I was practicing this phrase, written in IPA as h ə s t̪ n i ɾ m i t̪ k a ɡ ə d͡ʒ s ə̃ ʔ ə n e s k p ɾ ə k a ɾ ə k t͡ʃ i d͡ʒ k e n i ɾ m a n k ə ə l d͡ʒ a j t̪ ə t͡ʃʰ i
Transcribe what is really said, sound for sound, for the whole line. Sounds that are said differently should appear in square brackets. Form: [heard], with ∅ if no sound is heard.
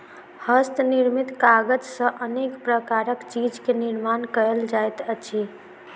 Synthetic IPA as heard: h ə s t̪ n i ɾ m i t̪ k a ɡ ə d͡ʒ s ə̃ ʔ ə n e [∅] k p ɾ ə k a ɾ ə k t͡ʃ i d͡ʒ k e n i ɾ m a n k ə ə l d͡ʒ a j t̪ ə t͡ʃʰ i